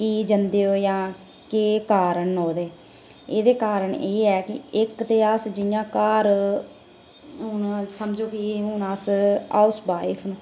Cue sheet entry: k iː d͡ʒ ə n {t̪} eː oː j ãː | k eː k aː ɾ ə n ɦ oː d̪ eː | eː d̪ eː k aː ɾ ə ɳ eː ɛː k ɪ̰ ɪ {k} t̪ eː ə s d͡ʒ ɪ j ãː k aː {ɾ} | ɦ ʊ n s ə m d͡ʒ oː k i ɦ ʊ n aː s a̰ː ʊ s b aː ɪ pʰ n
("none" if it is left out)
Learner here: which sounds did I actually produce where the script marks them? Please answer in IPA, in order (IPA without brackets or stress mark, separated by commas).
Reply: d̪, k, ɾ